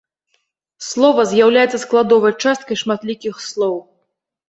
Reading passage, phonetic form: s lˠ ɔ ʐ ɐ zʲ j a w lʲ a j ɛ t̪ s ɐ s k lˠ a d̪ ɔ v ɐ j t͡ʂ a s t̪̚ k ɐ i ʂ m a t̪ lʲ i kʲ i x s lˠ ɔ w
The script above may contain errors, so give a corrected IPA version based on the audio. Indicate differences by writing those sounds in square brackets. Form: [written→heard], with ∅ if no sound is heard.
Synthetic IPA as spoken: s lˠ ɔ [ʐ→v] ɐ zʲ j a w lʲ a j ɛ t̪ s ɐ s k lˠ a d̪ ɔ v ɐ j t͡ʂ a s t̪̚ k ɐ [i→j] ʂ m a t̪ lʲ i kʲ i x s lˠ ɔ w